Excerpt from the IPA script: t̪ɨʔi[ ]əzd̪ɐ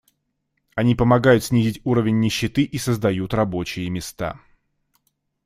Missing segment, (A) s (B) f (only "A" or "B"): A